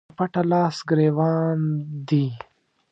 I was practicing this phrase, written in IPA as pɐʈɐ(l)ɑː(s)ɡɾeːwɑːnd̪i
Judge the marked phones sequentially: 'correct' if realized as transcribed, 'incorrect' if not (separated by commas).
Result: correct, correct